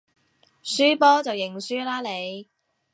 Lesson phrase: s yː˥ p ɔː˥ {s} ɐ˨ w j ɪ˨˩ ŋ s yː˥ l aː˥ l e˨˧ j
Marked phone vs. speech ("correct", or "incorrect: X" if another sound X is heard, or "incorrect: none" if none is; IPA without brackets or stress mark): incorrect: t͡s